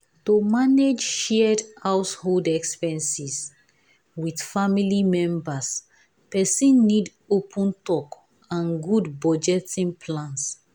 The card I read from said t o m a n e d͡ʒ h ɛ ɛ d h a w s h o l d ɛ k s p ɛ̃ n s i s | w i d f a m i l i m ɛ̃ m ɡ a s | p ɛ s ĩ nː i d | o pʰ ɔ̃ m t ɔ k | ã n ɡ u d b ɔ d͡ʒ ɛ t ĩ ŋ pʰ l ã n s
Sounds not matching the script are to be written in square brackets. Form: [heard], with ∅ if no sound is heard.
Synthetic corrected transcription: t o m a n e d͡ʒ [ʃ] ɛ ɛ d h a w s h o l d ɛ k s p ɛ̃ n s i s | w i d f a m i l i m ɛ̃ m [b] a s | p ɛ s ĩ nː i d | o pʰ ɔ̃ [n] t ɔ k | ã n ɡ u d b ɔ d͡ʒ ɛ t ĩ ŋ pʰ l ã n s